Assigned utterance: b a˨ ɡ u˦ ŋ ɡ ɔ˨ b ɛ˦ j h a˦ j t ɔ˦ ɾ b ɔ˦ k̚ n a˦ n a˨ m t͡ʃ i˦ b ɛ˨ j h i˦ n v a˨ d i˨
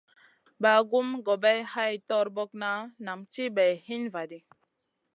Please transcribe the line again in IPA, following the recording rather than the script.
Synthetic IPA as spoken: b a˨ ɡ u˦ m ɡ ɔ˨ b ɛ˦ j h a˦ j t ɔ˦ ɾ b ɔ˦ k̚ n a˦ n a˨ m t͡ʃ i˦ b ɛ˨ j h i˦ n v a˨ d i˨